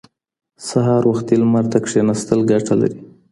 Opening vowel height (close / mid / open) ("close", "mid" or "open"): open